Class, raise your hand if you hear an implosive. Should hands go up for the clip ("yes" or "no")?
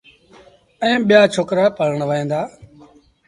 yes